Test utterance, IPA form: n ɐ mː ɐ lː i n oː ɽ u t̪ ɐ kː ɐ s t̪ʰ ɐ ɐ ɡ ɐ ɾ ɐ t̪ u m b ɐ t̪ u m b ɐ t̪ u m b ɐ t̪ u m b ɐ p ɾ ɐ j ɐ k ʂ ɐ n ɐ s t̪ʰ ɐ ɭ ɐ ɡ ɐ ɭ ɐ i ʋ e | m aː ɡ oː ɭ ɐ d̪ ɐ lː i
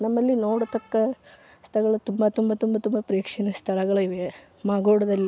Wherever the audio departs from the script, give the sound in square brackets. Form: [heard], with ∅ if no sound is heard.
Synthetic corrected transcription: n ɐ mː ɐ lː i n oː ɽ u t̪ ɐ kː ɐ s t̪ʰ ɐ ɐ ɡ ɐ [ɭ] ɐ t̪ u m b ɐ t̪ u m b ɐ t̪ u m b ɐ t̪ u m b ɐ p ɾ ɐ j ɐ k ʂ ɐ n ɐ s t̪ʰ ɐ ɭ ɐ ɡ ɐ ɭ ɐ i ʋ e | m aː ɡ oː [ɽ] ɐ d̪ ɐ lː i